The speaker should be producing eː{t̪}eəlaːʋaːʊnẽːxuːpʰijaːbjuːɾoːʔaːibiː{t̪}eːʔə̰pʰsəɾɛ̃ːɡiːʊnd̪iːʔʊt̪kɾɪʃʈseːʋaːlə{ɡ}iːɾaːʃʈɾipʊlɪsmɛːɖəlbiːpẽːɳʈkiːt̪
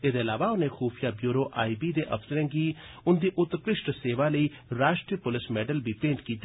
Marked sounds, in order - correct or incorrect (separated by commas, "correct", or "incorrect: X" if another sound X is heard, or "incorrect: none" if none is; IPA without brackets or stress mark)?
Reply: incorrect: d̪, incorrect: d̪, incorrect: none